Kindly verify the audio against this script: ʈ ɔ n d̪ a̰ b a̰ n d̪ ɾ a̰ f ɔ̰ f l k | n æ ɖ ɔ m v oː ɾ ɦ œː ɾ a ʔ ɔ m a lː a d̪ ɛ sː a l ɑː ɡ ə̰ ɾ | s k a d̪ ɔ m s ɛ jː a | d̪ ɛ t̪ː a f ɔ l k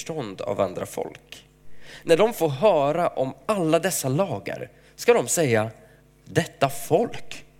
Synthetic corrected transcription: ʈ ɔ n d̪ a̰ v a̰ n d̪ ɾ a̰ f ɔ̰ l k | n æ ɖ ɔ m f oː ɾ ɦ œː ɾ a ʔ ɔ m a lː a d̪ ɛ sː a l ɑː ɡ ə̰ ɾ | s k a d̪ ɔ m s ɛ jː a | d̪ ɛ t̪ː a f ɔ l k